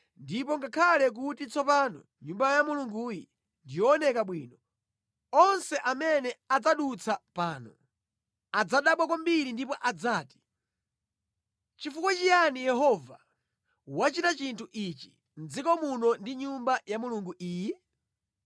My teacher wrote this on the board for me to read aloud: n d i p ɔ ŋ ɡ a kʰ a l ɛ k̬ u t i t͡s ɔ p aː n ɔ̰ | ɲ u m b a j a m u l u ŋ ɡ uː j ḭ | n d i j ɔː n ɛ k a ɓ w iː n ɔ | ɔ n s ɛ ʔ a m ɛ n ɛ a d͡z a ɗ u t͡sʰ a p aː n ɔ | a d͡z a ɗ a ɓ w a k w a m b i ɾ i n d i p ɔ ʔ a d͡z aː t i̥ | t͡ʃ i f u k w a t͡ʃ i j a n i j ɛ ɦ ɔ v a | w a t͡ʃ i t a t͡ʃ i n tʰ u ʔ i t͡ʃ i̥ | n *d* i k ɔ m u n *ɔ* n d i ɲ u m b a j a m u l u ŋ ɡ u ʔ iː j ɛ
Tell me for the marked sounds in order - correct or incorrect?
incorrect: d͡z, correct

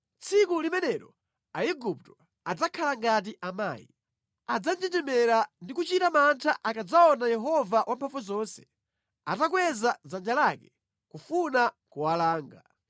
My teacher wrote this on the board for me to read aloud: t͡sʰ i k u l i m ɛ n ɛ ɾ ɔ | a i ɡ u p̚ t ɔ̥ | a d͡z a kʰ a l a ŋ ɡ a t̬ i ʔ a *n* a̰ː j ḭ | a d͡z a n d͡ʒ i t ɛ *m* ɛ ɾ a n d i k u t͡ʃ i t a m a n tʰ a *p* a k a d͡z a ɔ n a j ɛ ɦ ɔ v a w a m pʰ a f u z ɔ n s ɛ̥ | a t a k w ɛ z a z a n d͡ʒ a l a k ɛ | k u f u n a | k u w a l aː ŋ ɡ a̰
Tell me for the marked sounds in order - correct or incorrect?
incorrect: m, correct, incorrect: ʔ

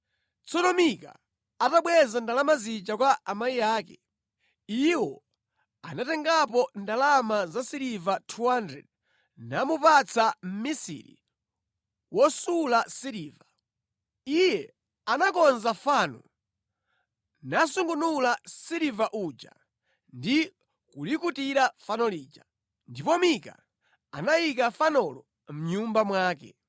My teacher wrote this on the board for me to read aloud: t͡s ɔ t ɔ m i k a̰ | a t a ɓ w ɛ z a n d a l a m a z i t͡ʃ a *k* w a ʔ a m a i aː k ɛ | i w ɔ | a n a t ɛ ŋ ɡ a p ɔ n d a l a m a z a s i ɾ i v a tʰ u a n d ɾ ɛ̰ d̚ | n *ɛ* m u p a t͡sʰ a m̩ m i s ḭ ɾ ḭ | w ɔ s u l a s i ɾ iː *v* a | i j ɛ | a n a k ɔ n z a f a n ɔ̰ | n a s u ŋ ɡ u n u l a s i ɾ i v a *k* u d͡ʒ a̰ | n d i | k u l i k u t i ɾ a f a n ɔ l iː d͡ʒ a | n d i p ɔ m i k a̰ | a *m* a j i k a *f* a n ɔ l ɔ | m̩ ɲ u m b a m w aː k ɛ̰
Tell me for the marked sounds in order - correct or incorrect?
correct, incorrect: a, correct, incorrect: ʔ, incorrect: n, correct

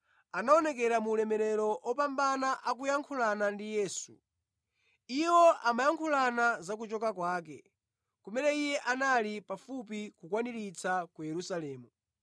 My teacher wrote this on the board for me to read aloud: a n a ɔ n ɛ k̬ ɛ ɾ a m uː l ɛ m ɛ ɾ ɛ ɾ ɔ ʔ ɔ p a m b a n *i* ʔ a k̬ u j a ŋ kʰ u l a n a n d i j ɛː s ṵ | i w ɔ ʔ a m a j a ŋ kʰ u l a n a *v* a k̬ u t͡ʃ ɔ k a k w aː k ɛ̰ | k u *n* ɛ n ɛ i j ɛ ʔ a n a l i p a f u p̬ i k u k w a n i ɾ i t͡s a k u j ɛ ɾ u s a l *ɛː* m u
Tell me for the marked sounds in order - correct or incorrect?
incorrect: a, incorrect: z, incorrect: m, correct

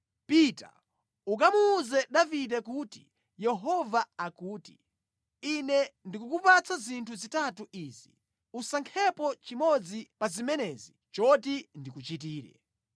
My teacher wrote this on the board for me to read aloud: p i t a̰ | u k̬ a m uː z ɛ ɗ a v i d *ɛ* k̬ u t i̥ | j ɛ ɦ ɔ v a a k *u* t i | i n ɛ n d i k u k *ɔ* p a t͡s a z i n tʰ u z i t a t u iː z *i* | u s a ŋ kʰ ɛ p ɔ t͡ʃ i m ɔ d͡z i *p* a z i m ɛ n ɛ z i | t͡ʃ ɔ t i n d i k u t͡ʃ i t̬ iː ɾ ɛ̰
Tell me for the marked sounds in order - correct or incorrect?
correct, incorrect: uː, incorrect: u, correct, correct

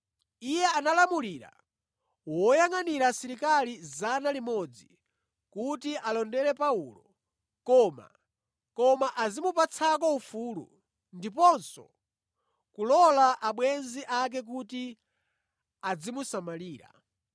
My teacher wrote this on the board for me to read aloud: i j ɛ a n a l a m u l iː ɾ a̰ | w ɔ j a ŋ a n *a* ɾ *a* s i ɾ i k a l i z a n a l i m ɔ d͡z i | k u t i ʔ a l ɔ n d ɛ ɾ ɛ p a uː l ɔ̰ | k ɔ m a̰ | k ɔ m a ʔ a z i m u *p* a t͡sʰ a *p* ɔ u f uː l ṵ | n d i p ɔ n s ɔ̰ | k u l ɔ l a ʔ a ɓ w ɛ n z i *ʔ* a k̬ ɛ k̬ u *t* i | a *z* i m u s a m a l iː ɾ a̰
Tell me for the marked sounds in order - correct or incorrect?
incorrect: i, correct, correct, incorrect: k, correct, correct, incorrect: d͡z

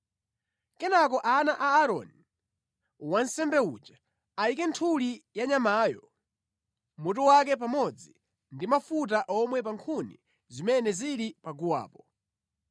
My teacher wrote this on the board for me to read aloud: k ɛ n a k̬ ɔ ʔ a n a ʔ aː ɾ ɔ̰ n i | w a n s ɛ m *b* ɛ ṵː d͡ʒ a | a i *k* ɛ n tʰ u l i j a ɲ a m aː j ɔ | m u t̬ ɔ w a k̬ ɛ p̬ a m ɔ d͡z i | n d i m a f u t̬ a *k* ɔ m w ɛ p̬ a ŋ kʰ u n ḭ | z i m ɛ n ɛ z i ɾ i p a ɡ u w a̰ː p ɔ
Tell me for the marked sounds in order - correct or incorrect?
correct, correct, incorrect: ʔ

